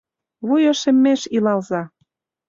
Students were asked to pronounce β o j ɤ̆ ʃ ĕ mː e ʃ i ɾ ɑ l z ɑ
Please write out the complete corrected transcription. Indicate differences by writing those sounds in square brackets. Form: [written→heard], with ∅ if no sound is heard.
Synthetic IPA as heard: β [o→u] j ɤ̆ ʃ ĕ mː e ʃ i [ɾ→l] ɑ l z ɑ